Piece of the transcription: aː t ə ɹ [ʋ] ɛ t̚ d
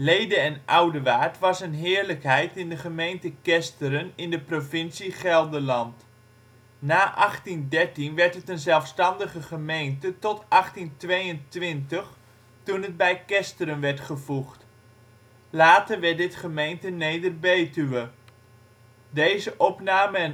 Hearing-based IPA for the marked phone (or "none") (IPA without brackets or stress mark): ʋ